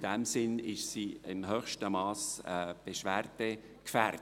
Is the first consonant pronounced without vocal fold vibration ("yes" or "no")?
no